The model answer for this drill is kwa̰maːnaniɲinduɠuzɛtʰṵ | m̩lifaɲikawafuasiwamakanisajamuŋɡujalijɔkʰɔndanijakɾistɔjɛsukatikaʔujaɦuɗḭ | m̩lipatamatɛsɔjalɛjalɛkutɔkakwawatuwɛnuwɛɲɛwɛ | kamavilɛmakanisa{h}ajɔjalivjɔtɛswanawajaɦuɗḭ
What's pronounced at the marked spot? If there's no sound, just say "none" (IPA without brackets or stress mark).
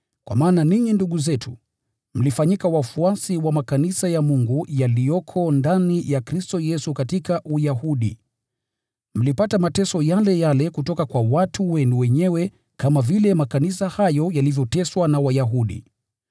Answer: h